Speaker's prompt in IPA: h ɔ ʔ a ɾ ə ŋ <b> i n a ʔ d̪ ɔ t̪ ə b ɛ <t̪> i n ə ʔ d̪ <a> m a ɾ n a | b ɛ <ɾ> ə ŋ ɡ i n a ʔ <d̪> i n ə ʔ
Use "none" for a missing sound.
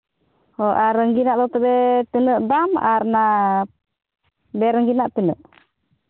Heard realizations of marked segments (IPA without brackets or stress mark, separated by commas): ɡ, t̪, a, ɾ, t̪